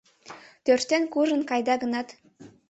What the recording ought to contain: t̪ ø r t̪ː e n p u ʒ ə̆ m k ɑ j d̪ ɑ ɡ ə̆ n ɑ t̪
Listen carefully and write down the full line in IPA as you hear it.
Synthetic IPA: t̪ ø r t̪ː e n k u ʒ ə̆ n k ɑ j d̪ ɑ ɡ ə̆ n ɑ t̪